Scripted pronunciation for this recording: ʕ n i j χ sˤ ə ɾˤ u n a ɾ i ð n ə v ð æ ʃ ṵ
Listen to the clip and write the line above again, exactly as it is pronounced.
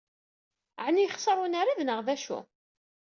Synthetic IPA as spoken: ʕ n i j χ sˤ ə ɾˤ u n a ɾ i ð n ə ʁ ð æ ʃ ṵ